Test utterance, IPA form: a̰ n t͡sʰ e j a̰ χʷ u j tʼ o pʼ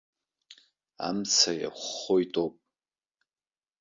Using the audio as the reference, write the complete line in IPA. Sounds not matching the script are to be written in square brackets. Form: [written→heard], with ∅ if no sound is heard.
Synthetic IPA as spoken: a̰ [n→m] t͡sʰ [e→a] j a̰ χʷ [u→o] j tʼ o pʼ